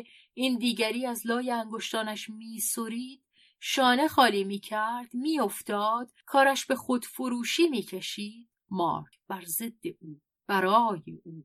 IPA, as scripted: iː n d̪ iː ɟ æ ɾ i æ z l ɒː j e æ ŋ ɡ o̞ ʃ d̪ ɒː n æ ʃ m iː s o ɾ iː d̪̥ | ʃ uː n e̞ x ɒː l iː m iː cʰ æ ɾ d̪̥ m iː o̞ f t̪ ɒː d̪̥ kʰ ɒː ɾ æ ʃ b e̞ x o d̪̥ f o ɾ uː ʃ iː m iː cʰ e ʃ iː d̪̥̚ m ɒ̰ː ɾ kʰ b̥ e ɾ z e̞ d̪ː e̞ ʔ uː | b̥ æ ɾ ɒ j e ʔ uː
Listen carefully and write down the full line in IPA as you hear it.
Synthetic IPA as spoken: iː n d̪ iː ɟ æ ɾ iː æ z l ɒː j e æ ŋ ɡ o̞ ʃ t̪ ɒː n æ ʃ m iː s o ɾ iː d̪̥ | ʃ ɒː n e̞ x ɒː l iː m iː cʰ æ ɾ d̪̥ m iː o̞ f t̪ ɒː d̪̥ kʰ ɒː ɾ æ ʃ b e̞ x o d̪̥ f o ɾ uː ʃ iː m iː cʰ e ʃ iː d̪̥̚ m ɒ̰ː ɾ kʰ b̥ æ ɾ z e̞ d̪ː e̞ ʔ uː | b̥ æ ɾ ɒː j e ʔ uː